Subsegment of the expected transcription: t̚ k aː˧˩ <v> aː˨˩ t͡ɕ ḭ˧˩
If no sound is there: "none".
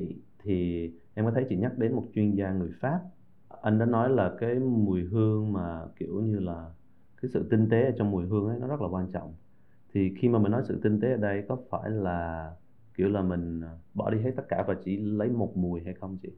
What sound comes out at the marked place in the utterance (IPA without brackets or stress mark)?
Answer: v